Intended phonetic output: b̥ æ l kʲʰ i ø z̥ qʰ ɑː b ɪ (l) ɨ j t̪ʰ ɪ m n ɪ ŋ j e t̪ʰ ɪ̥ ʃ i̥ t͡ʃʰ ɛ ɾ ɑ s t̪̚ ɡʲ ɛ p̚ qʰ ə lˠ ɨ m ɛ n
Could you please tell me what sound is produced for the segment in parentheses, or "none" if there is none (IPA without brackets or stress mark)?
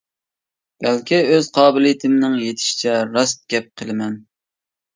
l